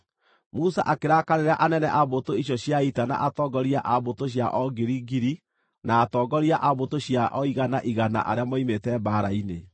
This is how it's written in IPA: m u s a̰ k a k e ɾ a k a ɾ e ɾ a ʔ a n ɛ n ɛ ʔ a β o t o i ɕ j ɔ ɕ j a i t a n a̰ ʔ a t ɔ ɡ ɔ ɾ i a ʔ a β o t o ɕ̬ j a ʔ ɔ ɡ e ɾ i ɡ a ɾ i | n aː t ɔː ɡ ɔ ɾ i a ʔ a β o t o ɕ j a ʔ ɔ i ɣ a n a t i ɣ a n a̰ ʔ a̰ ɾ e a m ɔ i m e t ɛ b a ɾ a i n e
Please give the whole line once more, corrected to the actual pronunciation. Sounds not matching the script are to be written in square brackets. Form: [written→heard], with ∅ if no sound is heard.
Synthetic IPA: m u s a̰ [k→ʔ] a k e ɾ a k a ɾ e ɾ a ʔ a n ɛ n ɛ ʔ a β o t o i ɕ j ɔ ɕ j a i t a n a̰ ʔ a t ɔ ɡ ɔ ɾ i a ʔ a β o t o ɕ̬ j a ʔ ɔ ɡ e ɾ i ɡ [a→i] ɾ i | n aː t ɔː ɡ ɔ ɾ i a ʔ a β o t o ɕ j a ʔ ɔ i ɣ a n a [t→ʔ] i ɣ a n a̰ ʔ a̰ ɾ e a m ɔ i m e t ɛ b a ɾ a i n e

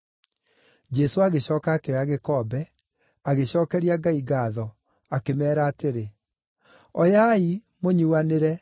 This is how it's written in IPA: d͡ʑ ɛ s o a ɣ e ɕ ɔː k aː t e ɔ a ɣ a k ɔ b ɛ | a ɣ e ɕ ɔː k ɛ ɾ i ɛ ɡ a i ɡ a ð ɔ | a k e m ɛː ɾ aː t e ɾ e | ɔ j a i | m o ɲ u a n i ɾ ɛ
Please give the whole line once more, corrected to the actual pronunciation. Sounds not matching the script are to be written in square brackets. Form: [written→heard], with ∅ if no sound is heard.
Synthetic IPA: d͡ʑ ɛ s o a ɣ e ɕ ɔː k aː [t→k] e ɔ a ɣ [a→e] k ɔ b ɛ | a ɣ e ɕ ɔː k ɛ ɾ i [ɛ→a] ɡ a i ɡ a ð ɔ | a k e m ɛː ɾ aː t e ɾ e | ɔ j a i | m o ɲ u a n [i→e] ɾ ɛ

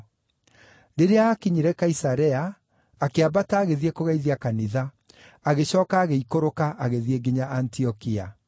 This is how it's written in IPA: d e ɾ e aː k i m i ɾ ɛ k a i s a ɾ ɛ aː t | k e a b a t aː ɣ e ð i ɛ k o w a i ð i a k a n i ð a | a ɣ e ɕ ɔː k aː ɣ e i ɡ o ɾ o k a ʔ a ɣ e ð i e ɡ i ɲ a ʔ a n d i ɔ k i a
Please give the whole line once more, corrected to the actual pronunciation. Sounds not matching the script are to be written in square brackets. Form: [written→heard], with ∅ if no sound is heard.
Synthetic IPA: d e ɾ e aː k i [m→ɲ] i ɾ ɛ k a i s a ɾ ɛ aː [t→∅] | k e a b a t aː ɣ e ð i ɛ k o [w→ɣ] a i ð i a k a n i ð a | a ɣ e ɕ ɔː k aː ɣ e i [ɡ→k] o ɾ o k a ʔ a ɣ e ð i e ɡ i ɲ a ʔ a n [d→t] i ɔ k i a

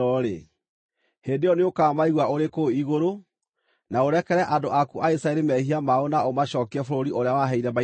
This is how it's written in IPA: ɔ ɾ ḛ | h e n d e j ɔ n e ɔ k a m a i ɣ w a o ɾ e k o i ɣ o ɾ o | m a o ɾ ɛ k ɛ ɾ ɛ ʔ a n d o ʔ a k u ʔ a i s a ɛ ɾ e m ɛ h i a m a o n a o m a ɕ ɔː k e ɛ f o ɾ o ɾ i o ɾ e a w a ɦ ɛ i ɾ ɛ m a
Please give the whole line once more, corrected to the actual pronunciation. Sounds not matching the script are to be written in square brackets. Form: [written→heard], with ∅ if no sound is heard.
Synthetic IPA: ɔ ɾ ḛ | h e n d e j ɔ n e [ɔ→o] k a m a i ɣ w a o ɾ e k o i ɣ o ɾ o | [m→n] a o ɾ ɛ k ɛ ɾ ɛ ʔ a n d o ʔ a k u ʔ a i s a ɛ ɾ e m ɛ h i a m a o n a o m a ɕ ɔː k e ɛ f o ɾ o ɾ i o ɾ e a w a ɦ ɛ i ɾ ɛ m a

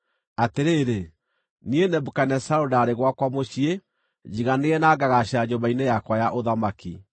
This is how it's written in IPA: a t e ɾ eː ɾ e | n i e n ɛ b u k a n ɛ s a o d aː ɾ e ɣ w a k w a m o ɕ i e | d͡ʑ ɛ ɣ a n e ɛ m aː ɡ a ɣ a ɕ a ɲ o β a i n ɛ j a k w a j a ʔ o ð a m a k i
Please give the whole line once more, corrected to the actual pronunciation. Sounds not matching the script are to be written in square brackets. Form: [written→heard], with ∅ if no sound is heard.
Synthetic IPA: a t e ɾ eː ɾ e | n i e n ɛ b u k a n ɛ s a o d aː ɾ e ɣ w a k w a m o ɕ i e | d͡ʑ [ɛ→i] ɣ a n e ɛ [m→n] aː ɡ a ɣ a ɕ a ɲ o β a i n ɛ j a k w a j a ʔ o ð a m a k i

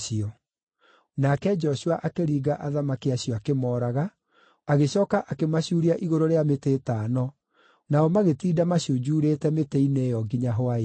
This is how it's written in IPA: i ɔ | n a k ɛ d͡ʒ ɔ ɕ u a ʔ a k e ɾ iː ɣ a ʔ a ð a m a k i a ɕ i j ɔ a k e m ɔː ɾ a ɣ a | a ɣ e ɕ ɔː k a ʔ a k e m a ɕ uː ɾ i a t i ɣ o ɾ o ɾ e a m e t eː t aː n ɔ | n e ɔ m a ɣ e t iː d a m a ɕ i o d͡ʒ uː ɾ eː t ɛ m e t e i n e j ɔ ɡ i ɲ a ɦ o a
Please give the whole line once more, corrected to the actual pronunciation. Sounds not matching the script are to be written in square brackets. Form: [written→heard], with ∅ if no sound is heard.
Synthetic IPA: i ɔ | n a k ɛ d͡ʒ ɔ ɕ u a ʔ a k e ɾ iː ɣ a ʔ a ð a m a k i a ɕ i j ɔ a k e m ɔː ɾ a ɣ a | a ɣ e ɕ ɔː k a ʔ a k e m a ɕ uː ɾ i a [t→ʔ] i ɣ o ɾ o ɾ e a m e t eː t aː n ɔ | n [e→a] ɔ m a ɣ e t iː d a m a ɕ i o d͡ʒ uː ɾ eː t ɛ m e t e i n e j ɔ ɡ i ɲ a ɦ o a

